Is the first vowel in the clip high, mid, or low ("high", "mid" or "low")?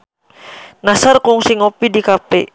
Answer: low